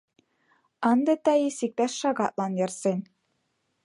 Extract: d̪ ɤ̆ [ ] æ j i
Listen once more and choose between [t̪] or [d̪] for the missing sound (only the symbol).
t̪